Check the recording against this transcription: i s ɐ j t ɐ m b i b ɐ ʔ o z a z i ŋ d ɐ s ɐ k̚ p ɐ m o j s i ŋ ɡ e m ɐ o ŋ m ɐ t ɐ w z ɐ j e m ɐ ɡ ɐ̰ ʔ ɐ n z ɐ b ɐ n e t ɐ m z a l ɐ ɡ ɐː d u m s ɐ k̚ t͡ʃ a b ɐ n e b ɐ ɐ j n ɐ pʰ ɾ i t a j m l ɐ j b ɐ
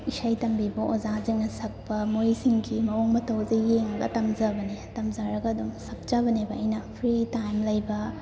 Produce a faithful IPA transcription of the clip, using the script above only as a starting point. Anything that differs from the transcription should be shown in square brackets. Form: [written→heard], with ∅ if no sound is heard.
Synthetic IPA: i s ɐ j t ɐ m b i b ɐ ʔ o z a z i ŋ [d→n] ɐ s ɐ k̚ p ɐ m o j s i ŋ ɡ [e→i] m ɐ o ŋ m ɐ t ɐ w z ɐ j e [m→ŋ] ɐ ɡ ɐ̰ [ʔ→t] ɐ [n→m] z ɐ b ɐ n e t ɐ m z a [l→ɾ] ɐ ɡ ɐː d u m s ɐ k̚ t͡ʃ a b ɐ n e b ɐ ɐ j n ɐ pʰ ɾ i t a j m l ɐ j b ɐ